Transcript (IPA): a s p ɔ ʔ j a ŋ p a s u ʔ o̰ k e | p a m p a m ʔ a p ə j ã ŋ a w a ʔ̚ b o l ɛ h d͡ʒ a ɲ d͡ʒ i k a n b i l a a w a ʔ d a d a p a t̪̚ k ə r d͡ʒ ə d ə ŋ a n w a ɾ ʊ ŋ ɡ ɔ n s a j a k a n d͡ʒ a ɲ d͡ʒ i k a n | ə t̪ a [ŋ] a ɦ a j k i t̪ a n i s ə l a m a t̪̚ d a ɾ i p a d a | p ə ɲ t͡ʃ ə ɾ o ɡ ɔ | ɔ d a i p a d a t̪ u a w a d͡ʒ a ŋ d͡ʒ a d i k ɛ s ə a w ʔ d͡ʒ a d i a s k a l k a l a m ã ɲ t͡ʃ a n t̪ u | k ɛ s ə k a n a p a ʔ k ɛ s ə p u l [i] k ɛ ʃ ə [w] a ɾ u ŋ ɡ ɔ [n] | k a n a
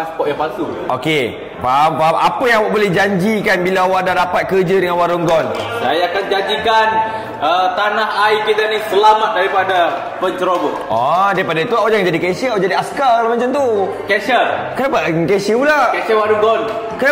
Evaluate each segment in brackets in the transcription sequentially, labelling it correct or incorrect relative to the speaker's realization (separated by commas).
incorrect, incorrect, correct, correct